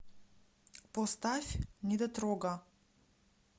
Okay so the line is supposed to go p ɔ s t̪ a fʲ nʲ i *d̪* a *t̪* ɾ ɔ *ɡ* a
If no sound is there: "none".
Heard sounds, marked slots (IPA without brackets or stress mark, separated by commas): d̪, t̪, ɡ